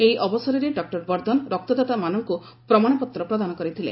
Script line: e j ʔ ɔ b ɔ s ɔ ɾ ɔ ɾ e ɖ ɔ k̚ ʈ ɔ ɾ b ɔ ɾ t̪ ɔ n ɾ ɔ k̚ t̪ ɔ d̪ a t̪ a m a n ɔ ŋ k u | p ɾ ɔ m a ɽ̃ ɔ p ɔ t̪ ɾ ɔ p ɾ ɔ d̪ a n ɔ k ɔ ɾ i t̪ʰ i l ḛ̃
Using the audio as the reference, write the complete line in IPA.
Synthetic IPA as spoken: e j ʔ ɔ b ɔ s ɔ ɾ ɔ ɾ e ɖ ɔ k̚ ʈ ɔ ɾ b ɔ ɾ d̪ ɔ n ɾ ɔ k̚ t̪ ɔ d̪ a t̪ a m a n ɔ ŋ k u | p ɾ ɔ m a ɽ̃ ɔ p ɔ t̪ ɾ ɔ p ɾ ɔ d̪ a n ɔ k ɔ ɾ i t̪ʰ i l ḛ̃